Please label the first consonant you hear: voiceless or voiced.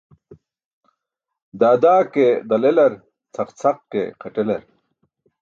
voiced